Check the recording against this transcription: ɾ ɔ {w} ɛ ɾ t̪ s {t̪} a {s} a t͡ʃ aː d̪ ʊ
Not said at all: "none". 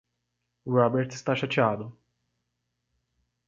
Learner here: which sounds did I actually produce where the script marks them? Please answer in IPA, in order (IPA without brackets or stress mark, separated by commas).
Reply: b, t̪, ʃ